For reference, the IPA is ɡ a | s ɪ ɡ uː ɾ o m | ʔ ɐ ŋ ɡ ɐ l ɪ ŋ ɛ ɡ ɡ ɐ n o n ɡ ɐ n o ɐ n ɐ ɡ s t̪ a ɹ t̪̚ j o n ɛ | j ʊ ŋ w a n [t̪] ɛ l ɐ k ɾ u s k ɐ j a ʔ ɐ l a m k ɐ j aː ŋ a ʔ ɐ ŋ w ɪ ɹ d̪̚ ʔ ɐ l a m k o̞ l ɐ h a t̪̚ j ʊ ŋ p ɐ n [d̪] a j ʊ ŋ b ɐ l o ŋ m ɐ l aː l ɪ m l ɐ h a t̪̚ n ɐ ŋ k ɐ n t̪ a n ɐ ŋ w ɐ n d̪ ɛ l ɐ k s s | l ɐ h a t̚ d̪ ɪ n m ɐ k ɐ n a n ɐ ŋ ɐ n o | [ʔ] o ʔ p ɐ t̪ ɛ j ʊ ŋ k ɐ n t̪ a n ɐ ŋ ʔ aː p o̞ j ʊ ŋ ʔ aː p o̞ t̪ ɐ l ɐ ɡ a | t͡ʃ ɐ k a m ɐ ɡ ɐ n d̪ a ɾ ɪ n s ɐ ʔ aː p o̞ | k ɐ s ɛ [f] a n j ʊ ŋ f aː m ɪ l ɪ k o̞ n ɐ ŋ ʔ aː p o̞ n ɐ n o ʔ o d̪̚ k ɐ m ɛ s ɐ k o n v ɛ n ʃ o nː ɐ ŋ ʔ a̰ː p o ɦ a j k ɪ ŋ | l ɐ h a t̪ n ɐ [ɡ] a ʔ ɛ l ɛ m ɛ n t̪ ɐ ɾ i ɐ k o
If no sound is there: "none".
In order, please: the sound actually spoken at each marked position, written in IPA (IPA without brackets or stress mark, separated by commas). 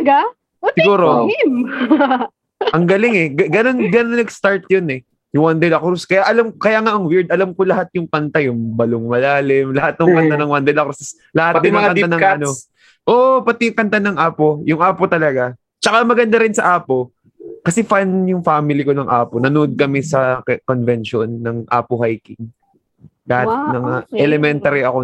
d̪, t̪, ʔ, f, ŋ